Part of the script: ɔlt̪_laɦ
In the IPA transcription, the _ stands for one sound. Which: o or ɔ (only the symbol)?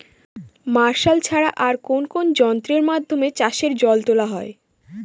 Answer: o